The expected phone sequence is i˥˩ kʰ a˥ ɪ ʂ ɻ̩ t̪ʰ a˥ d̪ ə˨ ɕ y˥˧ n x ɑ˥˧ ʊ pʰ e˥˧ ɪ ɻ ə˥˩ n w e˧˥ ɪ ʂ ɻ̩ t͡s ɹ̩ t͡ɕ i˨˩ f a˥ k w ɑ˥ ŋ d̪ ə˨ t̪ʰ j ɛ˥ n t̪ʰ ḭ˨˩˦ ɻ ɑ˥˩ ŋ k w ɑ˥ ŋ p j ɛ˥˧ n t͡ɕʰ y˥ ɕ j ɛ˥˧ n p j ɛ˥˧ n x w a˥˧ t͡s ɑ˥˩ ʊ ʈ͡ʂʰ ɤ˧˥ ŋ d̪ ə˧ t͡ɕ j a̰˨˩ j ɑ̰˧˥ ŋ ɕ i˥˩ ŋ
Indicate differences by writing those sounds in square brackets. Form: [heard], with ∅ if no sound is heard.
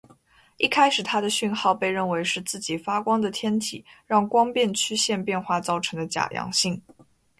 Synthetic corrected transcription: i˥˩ kʰ a˥ ɪ ʂ ɻ̩ t̪ʰ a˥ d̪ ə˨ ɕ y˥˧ n x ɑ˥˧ ʊ [p] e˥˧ ɪ ɻ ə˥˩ n w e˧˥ ɪ ʂ ɻ̩ t͡s ɹ̩ t͡ɕ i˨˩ f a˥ k w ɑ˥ ŋ d̪ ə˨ t̪ʰ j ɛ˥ n t̪ʰ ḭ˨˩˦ ɻ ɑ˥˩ ŋ k w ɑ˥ ŋ p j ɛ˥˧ n t͡ɕʰ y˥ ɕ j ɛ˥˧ n p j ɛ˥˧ n x w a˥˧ t͡s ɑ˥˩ ʊ ʈ͡ʂʰ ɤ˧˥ ŋ d̪ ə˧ t͡ɕ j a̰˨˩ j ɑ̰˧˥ ŋ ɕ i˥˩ ŋ